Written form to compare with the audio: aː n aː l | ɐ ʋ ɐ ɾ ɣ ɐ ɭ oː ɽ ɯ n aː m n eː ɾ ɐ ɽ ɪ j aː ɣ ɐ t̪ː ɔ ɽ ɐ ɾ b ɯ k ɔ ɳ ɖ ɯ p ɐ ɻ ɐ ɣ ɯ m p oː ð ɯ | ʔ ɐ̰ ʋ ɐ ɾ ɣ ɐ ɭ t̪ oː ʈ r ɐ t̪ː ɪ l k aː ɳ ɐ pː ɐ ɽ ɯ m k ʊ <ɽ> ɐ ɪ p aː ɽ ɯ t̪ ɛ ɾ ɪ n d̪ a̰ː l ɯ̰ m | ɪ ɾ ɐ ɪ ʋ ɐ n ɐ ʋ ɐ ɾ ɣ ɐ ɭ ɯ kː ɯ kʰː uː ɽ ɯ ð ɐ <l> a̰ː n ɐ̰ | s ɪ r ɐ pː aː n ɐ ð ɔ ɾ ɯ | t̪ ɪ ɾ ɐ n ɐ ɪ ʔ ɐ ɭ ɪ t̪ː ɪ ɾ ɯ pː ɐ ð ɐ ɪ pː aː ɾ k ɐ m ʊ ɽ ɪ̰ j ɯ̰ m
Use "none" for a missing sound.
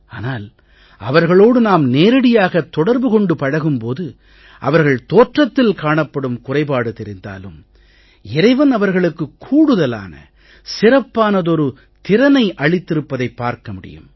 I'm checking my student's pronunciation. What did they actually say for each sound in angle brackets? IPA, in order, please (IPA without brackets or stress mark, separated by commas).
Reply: r, l